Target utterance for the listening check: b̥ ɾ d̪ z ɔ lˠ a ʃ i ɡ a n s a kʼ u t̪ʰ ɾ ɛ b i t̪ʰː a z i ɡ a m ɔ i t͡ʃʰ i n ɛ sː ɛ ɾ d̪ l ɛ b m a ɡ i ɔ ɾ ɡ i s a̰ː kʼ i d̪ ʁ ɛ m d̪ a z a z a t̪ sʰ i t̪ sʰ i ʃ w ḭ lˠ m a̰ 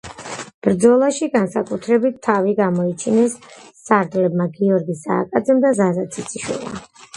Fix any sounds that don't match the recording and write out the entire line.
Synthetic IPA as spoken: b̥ ɾ d̪ z ɔ lˠ a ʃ i ɡ a n s a kʼ u t̪ʰ ɾ ɛ b i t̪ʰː a v i ɡ a m ɔ i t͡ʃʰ i n ɛ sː a ɾ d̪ l ɛ b m a ɡ i ɔ ɾ ɡ i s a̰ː kʼ a d̪ z ɛ m d̪ a z a z a t̪ sʰ i t̪ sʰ i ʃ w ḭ lˠ m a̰